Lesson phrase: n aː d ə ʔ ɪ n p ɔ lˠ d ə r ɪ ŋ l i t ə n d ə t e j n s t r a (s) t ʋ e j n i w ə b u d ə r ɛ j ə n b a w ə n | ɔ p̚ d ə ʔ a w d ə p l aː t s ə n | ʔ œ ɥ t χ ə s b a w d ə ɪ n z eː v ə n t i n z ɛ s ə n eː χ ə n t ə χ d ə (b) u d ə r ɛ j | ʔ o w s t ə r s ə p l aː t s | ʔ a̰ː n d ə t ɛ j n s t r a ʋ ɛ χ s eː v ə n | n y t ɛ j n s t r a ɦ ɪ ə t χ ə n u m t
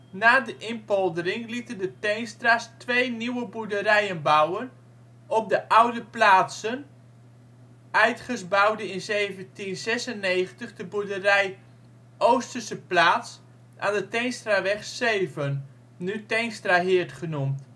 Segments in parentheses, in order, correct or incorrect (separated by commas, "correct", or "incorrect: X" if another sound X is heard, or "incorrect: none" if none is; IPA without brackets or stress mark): correct, correct